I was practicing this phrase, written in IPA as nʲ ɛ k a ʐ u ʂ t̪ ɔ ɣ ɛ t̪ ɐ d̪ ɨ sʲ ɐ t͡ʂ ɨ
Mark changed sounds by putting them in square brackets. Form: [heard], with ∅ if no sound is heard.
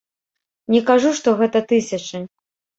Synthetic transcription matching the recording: nʲ ɛ k a ʐ u ʂ t̪ ɔ ɣ ɛ t̪ ɐ [t̪] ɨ sʲ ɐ t͡ʂ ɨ